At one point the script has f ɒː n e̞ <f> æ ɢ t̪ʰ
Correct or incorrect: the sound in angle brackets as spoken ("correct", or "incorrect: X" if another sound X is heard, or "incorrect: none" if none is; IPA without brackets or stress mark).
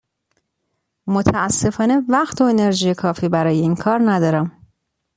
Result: incorrect: v